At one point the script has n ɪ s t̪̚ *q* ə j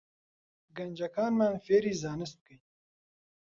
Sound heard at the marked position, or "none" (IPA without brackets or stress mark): k